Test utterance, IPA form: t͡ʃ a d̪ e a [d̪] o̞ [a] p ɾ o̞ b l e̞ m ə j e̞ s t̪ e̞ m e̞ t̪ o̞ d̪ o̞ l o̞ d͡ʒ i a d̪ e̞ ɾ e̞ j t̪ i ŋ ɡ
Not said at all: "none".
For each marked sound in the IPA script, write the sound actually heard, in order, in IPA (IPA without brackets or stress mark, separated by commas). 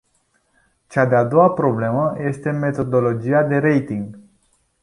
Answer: d̪, a